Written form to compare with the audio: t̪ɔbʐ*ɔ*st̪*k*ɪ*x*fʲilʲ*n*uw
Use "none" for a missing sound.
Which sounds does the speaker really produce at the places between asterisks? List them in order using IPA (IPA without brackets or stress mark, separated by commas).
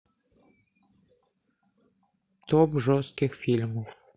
ɔ, k, x, m